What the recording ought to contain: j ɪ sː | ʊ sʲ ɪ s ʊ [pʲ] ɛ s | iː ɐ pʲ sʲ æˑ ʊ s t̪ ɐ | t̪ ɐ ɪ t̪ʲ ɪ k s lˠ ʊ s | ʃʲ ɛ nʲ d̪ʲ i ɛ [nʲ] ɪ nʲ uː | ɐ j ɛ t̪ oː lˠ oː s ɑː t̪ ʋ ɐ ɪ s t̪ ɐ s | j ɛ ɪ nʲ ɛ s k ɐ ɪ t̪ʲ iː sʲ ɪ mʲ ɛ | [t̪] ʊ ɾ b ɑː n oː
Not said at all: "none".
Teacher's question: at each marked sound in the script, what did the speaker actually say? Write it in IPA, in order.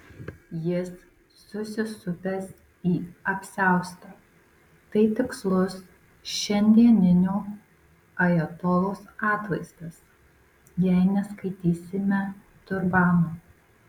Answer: pʲ, nʲ, t̪

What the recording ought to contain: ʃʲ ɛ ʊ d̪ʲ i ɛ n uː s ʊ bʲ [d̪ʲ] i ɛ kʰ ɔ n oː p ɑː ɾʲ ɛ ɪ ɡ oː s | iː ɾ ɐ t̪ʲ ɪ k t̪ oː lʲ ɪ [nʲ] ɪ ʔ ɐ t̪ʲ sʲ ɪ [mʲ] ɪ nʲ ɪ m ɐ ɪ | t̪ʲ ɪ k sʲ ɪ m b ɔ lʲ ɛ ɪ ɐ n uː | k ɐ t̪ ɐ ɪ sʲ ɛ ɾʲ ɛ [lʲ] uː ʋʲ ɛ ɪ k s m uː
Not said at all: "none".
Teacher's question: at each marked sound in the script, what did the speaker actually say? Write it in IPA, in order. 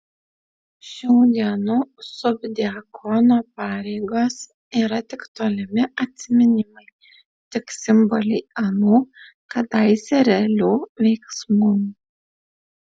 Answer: d̪ʲ, mʲ, mʲ, lʲ

